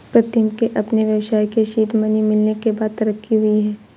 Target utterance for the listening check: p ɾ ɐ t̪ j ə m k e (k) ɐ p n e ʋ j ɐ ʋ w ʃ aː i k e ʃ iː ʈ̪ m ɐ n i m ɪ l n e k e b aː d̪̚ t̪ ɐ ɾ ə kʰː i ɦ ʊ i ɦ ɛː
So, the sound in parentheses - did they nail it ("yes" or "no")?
no